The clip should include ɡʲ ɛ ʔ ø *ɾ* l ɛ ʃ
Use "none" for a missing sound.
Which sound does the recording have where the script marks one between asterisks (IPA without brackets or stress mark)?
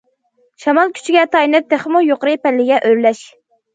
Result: ɾ